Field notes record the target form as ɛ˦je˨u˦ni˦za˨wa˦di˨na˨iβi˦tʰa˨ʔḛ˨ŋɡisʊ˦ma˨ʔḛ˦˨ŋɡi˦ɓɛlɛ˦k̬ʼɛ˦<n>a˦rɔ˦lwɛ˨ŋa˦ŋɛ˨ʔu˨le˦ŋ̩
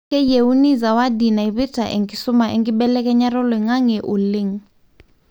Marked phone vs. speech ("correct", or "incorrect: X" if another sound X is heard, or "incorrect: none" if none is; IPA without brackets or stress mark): incorrect: ɲ